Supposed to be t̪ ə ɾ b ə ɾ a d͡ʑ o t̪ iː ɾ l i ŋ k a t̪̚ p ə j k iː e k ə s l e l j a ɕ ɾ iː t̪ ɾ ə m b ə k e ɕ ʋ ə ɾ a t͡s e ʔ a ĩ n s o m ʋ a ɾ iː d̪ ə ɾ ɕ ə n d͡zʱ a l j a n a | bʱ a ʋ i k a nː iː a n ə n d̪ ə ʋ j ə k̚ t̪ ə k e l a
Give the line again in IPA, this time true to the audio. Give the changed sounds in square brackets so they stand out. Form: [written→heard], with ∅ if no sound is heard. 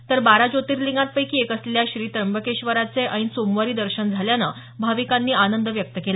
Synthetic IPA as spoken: t̪ ə ɾ b [ə→a] ɾ a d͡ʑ o t̪ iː ɾ l i ŋ [k→ɡ] a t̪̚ p ə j k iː e k ə s l e l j a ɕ ɾ iː t̪ ɾ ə m b ə k e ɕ ʋ ə ɾ a t͡s e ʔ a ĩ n s o m ʋ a ɾ iː d̪ ə ɾ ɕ ə n d͡zʱ a l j a n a | bʱ a ʋ i k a nː iː a n ə n d̪ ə ʋ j ə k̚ t̪ ə k e l a